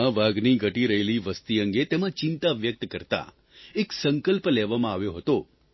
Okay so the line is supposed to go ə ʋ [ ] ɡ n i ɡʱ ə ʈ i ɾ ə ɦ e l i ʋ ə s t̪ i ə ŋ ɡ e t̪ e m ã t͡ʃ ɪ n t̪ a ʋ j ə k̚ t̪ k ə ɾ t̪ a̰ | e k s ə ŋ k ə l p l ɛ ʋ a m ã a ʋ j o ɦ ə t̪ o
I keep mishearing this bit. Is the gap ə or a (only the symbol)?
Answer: a